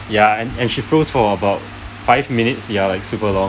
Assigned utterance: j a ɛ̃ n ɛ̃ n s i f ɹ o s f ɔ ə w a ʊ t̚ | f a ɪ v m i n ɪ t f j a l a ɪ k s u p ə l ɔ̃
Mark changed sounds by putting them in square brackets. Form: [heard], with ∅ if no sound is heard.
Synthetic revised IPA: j a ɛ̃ n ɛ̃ n [ʃ] i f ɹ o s f ɔ ə [b] a ʊ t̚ | f a ɪ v m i n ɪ t [s] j a l a ɪ k s u p ə l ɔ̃